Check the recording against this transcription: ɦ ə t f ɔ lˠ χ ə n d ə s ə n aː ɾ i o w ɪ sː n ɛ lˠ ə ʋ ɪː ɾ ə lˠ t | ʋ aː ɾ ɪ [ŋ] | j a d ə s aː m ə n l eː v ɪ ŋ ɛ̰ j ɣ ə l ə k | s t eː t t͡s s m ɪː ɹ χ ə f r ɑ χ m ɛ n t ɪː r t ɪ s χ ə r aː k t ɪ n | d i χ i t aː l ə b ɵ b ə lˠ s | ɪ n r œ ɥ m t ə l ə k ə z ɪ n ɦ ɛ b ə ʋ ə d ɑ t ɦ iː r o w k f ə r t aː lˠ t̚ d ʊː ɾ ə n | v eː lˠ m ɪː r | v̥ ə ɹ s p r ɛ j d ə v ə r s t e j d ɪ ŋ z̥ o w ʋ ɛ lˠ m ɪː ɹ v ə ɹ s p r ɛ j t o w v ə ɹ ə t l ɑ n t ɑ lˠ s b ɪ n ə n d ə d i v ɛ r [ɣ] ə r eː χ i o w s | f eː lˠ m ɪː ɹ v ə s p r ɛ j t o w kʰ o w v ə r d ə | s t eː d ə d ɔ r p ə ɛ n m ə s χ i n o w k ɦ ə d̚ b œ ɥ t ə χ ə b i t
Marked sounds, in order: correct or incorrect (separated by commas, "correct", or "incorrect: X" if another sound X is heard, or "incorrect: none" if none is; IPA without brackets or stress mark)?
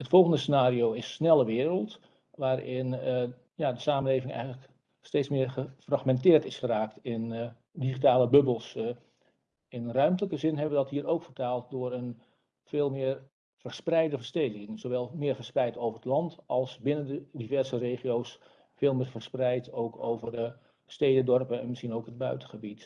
incorrect: n, incorrect: z